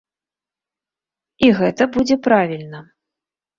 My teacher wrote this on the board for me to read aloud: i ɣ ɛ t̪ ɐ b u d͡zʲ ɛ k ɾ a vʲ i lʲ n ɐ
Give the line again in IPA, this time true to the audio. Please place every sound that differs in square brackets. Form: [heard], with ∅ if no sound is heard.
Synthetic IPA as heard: i ɣ ɛ t̪ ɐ b u d͡zʲ ɛ [p] ɾ a vʲ i lʲ n ɐ